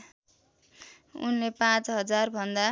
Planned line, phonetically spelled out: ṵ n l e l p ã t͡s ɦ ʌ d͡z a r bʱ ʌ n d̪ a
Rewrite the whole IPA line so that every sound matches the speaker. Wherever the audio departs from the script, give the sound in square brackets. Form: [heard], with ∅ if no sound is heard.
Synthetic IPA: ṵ n l e [∅] p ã t͡s ɦ ʌ d͡z a r bʱ ʌ n d̪ a